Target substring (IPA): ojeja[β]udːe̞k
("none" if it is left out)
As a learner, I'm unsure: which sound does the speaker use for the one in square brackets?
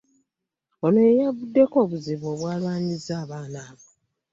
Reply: v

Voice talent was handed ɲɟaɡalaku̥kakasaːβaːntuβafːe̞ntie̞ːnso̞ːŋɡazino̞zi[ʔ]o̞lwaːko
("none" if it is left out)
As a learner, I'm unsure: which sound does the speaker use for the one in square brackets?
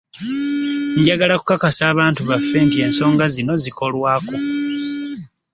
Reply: k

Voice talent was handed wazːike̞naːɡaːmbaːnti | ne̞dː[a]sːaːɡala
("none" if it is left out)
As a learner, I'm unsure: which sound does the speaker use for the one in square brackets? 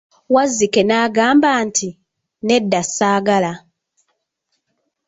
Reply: a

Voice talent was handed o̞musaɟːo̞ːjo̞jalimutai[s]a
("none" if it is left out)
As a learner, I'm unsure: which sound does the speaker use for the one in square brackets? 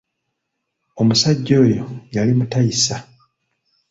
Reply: s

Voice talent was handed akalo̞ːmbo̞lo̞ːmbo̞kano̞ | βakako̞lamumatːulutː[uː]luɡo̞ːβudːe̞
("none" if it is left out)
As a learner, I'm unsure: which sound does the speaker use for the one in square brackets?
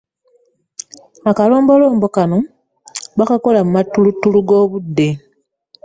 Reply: u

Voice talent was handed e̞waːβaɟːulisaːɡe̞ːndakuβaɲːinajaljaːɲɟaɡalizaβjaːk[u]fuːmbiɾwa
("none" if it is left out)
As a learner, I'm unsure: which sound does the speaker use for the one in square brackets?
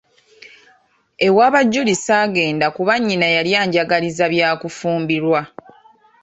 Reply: u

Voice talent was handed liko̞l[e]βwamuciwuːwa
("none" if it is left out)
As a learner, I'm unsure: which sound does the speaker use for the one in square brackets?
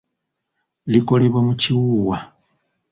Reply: e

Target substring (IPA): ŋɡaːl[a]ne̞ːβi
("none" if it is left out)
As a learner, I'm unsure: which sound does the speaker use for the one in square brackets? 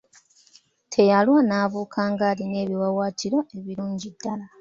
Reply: i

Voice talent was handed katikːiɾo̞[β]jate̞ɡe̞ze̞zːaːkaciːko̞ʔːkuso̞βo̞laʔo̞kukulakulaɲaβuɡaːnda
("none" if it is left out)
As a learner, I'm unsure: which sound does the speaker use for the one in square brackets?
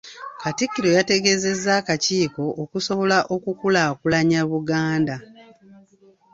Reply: none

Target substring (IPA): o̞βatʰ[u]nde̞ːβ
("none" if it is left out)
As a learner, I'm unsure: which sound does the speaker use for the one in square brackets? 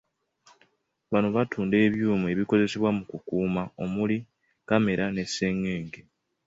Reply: uː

